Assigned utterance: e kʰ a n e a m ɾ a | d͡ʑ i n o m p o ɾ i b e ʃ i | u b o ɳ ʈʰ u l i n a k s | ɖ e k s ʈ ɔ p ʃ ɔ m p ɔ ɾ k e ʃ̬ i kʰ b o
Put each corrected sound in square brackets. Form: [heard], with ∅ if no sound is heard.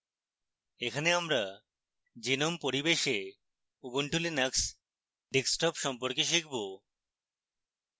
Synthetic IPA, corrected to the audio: e kʰ a n e a m ɾ a | d͡ʑ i n o m p o ɾ i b e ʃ [e] | u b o ɳ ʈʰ u l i n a k s | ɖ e k s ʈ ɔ p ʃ ɔ m p [o] ɾ k e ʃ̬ i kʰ b o